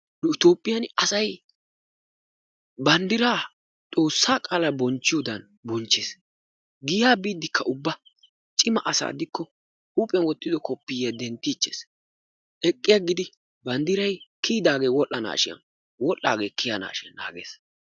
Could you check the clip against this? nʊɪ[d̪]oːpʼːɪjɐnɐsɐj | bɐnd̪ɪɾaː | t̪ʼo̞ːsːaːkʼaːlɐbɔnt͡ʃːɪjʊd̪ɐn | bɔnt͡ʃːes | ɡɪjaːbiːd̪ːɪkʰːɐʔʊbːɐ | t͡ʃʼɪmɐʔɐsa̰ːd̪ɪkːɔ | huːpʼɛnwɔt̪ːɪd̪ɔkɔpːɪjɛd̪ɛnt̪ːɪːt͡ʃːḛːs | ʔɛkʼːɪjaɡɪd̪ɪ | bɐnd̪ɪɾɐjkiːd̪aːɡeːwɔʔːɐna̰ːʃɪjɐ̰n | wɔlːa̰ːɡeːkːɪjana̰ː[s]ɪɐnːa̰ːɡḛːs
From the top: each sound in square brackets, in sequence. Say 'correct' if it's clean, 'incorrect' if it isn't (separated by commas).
incorrect, incorrect